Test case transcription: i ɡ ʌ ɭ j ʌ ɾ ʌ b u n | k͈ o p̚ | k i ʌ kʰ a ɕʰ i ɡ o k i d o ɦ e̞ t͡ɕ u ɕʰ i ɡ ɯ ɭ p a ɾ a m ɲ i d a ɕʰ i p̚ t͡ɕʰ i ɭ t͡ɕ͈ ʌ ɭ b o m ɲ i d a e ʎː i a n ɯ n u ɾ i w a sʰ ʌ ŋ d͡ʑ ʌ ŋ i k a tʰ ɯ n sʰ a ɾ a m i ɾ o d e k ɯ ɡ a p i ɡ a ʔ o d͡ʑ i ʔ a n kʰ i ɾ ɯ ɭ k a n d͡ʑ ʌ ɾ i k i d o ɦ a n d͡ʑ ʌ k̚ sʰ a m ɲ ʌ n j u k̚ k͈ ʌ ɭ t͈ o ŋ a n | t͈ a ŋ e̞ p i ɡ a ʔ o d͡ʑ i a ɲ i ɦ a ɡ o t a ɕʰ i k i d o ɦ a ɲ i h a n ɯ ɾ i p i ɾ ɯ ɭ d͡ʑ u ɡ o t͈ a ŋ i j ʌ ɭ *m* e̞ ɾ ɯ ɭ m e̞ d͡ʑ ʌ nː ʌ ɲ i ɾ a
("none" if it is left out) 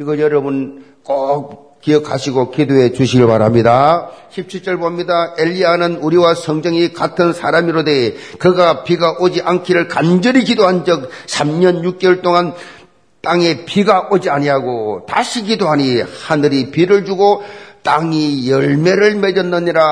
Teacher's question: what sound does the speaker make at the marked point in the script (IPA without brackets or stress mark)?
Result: m